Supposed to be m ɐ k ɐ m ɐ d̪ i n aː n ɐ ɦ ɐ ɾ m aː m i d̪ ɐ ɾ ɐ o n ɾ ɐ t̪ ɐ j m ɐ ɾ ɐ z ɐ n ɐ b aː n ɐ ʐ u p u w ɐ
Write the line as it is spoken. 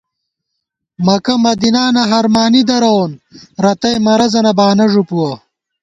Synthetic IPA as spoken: m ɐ k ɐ m ɐ d̪ i n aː n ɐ ɦ ɐ ɾ m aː n i d̪ ɐ ɾ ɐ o n ɾ ɐ t̪ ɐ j m ɐ ɾ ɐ z ɐ n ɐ b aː n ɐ ʐ u p u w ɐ